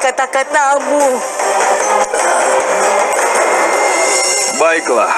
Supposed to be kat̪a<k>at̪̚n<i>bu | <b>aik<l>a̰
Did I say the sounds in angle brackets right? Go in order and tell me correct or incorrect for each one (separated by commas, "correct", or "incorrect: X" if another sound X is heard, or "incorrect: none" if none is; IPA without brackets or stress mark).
correct, incorrect: a, correct, correct